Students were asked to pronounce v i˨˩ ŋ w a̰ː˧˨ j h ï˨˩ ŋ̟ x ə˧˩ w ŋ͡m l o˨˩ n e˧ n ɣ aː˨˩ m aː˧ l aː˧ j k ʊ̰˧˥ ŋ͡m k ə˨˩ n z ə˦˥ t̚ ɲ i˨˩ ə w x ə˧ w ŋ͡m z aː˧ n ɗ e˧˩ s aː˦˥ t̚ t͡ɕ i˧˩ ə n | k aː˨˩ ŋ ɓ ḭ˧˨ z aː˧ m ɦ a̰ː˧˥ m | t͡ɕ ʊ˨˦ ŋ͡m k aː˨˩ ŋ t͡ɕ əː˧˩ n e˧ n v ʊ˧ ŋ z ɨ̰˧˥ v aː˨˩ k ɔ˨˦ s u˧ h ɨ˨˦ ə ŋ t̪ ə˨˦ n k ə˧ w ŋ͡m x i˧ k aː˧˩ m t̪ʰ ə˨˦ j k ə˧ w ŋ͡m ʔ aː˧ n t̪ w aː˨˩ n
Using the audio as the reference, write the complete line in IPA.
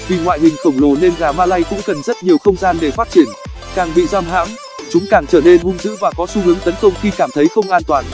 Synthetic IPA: v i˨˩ ŋ w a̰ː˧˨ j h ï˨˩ ŋ̟ x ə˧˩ w ŋ͡m l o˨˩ n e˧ n ɣ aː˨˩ m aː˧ l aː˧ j k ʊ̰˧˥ ŋ͡m k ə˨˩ n z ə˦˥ t̚ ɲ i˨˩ ə w x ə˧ w ŋ͡m z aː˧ n ɗ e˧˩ f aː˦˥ t̚ t͡ɕ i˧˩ ə n | k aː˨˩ ŋ ɓ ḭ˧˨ z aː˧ m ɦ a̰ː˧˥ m | t͡ɕ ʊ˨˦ ŋ͡m k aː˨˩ ŋ t͡ɕ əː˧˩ n e˧ n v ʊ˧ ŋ z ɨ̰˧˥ v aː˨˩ k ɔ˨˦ s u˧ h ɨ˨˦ ə ŋ t̪ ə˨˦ n k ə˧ w ŋ͡m x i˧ k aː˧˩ m t̪ʰ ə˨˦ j x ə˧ w ŋ͡m ʔ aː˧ n t̪ w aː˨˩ n